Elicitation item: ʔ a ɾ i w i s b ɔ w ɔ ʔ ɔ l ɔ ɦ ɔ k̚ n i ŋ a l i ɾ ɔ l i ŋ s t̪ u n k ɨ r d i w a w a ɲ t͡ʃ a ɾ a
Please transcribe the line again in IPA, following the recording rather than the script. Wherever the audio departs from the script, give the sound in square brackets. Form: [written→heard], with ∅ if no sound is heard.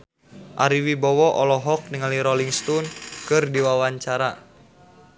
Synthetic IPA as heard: ʔ a ɾ i w i [s→∅] b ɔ w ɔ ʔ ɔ l ɔ ɦ ɔ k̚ n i ŋ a l i ɾ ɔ l i ŋ s t̪ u n k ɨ r d i w a w a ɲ t͡ʃ a ɾ a

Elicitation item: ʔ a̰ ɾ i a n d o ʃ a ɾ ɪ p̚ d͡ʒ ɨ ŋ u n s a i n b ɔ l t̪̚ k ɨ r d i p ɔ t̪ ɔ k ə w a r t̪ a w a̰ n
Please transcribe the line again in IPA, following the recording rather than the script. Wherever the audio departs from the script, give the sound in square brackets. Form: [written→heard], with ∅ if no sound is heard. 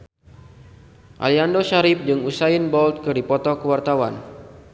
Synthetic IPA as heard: ʔ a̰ [ɾ→l] i a n d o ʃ a ɾ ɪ p̚ d͡ʒ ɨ ŋ u [n→∅] s a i n b ɔ l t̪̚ k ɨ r d i p ɔ t̪ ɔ k ə w a r t̪ a w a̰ n

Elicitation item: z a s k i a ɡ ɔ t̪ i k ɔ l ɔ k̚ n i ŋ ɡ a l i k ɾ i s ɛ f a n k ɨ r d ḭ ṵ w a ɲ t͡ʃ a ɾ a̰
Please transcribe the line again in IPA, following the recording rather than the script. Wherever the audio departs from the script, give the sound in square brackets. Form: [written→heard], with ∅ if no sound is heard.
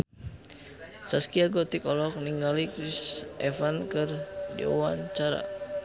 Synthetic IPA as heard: [z→s] a s k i a ɡ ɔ t̪ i k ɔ l ɔ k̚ n i ŋ ɡ a l i k ɾ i s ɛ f a n k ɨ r d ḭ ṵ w a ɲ t͡ʃ a ɾ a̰

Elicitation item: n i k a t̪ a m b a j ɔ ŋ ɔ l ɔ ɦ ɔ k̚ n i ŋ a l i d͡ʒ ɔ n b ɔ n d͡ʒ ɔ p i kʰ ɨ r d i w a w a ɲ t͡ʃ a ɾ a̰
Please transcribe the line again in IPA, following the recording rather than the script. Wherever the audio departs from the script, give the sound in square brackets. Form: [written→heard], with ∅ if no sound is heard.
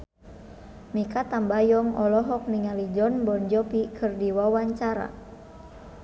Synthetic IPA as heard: [n→m] i k a t̪ a m b a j ɔ ŋ ɔ l ɔ ɦ ɔ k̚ n i ŋ a l i d͡ʒ ɔ n b ɔ n d͡ʒ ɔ p i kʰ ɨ r d i w a w a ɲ t͡ʃ a ɾ a̰

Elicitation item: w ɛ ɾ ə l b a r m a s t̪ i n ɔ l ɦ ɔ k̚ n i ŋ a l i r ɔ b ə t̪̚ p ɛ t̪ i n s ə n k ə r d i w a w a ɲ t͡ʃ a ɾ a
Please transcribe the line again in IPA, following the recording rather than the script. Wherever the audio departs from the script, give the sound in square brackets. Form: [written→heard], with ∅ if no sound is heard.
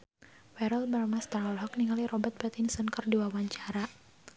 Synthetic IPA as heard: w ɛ ɾ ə l b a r m a s t̪ [i→a] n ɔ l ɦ ɔ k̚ n i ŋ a l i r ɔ b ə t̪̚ p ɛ t̪ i n s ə n k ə r d i w a w a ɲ t͡ʃ a ɾ a

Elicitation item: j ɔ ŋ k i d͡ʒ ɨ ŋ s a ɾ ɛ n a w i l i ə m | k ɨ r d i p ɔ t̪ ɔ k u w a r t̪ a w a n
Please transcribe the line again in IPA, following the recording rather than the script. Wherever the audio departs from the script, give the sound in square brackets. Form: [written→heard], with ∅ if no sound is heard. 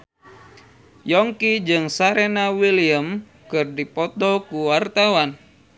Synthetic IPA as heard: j ɔ ŋ k i d͡ʒ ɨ ŋ s a ɾ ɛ n a w i l i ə m | k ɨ r d i p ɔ t̪ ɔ k u w a r t̪ a w a n

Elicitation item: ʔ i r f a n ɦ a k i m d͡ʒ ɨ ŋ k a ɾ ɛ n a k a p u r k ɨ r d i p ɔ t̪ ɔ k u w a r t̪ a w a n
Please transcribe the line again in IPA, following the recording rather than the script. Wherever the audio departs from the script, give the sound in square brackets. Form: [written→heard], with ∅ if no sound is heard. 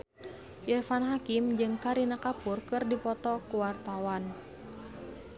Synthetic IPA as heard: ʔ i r f a n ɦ a k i m d͡ʒ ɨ ŋ k a ɾ [ɛ→i] n a k a p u r k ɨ r d i p ɔ t̪ ɔ k u w a r t̪ a w a n

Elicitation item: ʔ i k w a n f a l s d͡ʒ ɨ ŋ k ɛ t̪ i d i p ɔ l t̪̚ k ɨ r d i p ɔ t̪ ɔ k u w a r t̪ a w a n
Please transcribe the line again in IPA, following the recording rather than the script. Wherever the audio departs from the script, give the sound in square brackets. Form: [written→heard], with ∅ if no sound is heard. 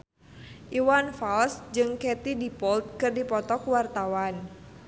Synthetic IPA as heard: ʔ i [k→∅] w a n f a l s d͡ʒ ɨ ŋ k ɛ t̪ i d i p ɔ l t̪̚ k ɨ r d i p ɔ t̪ ɔ k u w a r t̪ a w a n

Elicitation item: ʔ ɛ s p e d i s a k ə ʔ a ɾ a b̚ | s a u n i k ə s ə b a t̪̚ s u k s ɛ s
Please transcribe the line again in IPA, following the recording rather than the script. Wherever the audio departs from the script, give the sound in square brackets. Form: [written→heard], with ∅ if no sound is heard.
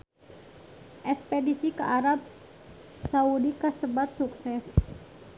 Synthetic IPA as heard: ʔ ɛ s p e d i s [a→i] k ə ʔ a ɾ a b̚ | s a u [n→d] i k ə s ə b a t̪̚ s u k s ɛ s

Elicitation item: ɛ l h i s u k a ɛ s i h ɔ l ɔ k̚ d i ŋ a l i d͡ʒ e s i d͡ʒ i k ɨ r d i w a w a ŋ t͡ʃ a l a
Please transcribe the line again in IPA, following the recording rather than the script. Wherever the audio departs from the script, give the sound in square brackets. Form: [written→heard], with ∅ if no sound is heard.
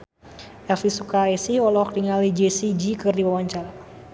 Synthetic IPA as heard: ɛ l [h→f] i s u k a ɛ s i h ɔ l ɔ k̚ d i ŋ a l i d͡ʒ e s i d͡ʒ i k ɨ r d i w a w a [ŋ→ɲ] t͡ʃ a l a

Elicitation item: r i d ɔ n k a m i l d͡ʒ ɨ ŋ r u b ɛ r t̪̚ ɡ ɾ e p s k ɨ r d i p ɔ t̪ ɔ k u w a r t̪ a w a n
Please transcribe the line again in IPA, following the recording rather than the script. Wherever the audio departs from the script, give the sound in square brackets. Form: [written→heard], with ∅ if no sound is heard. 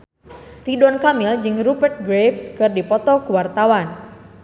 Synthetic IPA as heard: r i d ɔ n k a m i l d͡ʒ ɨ ŋ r u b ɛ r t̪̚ ɡ ɾ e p s k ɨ r d i p ɔ t̪ ɔ k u w a r t̪ a w a n

